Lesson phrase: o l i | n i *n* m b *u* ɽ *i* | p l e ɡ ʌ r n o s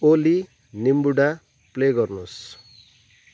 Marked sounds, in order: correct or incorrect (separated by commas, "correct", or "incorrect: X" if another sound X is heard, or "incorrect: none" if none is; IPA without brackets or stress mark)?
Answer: incorrect: none, correct, incorrect: a